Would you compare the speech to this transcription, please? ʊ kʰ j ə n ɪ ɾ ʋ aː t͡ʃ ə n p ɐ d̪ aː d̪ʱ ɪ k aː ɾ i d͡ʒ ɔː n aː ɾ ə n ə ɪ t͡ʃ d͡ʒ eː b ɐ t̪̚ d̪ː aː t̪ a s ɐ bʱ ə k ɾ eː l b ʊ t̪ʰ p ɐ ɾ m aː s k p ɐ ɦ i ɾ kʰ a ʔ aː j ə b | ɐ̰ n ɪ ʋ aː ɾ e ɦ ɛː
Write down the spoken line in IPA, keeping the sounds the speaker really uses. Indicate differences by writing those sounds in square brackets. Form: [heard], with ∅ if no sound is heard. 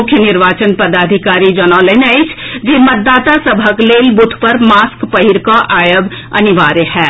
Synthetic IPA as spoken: ʊ kʰ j ə n ɪ ɾ ʋ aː t͡ʃ ə n p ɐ d̪ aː d̪ʱ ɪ k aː ɾ i d͡ʒ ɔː n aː [l] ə n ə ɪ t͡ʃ d͡ʒ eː [m] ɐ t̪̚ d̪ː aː t̪ a s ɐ bʱ ə k [l] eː l b ʊ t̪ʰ p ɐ ɾ m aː s k p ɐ ɦ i ɾ [k] a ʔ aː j ə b | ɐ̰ n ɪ ʋ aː ɾ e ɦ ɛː